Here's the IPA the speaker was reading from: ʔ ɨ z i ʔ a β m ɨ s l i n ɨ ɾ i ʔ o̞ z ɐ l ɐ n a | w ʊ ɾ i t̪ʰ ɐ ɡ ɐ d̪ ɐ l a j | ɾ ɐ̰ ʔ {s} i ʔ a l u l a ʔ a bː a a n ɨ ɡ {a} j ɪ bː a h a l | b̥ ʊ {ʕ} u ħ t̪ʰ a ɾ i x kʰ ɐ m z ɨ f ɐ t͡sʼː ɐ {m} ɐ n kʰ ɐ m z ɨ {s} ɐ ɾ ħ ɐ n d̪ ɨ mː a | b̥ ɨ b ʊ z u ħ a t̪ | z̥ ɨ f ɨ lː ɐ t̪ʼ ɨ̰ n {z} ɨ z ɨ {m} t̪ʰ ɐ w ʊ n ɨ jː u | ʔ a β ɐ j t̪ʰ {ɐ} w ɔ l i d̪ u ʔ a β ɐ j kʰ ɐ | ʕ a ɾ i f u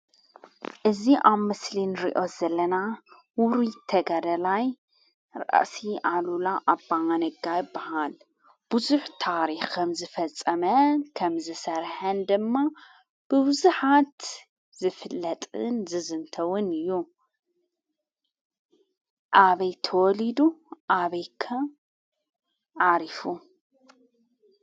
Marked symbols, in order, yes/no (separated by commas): yes, yes, no, yes, yes, yes, no, yes